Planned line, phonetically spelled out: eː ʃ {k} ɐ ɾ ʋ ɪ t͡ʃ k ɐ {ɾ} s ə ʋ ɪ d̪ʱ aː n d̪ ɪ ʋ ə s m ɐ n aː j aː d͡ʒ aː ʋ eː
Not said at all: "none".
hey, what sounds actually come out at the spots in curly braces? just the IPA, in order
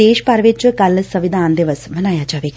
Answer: p, l

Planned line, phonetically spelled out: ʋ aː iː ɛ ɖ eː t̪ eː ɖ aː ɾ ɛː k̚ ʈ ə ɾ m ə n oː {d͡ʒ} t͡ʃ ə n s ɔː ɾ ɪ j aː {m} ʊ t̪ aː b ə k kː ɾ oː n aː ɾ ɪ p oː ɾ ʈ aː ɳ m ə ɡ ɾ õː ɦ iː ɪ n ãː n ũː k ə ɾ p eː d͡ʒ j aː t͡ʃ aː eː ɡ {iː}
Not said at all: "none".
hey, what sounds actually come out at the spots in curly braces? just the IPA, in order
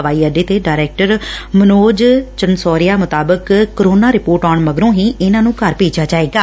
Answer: d͡ʒ, m, aː

